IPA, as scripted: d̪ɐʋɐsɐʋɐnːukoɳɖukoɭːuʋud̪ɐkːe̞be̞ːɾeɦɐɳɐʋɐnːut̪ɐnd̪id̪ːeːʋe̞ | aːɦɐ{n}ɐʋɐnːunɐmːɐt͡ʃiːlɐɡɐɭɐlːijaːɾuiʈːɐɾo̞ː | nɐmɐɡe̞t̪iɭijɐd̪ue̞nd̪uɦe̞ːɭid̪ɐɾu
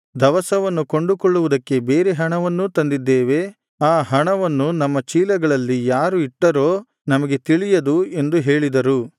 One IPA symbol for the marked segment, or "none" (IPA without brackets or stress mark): ɳ